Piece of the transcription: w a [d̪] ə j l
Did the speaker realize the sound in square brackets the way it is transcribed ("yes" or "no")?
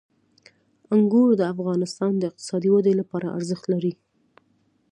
yes